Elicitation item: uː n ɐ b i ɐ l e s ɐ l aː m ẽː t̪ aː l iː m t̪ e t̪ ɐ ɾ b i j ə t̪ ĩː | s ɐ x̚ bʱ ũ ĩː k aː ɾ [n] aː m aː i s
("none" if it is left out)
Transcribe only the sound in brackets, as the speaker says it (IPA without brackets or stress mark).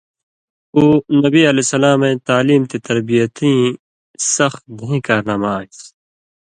n